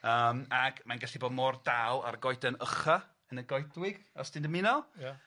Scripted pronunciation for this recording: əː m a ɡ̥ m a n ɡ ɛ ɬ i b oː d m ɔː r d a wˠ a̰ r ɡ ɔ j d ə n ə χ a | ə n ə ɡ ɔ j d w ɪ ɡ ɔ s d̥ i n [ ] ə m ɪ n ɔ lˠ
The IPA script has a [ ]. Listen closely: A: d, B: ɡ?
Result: A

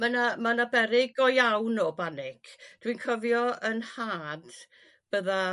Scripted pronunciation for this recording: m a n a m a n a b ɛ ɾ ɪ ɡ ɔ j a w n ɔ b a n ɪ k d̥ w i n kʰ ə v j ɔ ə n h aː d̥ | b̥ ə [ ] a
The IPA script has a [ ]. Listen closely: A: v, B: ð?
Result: B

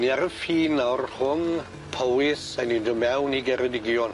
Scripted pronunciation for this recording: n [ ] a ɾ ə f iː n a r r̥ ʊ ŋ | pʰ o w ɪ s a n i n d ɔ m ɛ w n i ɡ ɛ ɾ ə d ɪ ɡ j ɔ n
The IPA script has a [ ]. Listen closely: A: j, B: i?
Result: B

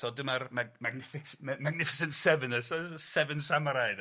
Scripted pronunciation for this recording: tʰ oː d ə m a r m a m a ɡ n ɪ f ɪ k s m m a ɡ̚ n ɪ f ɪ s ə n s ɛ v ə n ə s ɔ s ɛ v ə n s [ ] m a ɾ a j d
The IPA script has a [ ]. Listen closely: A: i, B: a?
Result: B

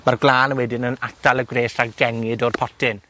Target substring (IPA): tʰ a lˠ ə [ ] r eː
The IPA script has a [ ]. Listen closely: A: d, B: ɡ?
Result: B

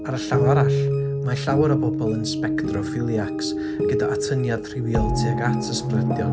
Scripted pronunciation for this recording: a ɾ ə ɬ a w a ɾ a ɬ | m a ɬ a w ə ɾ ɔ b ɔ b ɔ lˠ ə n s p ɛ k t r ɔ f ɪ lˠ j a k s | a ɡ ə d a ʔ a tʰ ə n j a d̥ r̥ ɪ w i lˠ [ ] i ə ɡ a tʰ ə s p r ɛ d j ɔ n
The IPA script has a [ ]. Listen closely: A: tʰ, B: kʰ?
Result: A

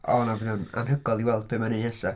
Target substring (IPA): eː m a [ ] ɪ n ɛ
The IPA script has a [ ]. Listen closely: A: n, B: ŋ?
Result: A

